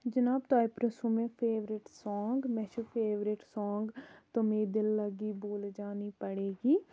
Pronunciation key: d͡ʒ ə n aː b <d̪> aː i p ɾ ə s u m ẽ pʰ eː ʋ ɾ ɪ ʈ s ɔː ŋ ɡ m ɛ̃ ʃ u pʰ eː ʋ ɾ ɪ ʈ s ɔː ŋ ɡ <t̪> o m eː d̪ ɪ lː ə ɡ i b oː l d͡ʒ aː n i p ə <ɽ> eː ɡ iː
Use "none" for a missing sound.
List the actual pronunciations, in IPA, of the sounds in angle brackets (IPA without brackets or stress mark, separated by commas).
t̪, t̪, ɽ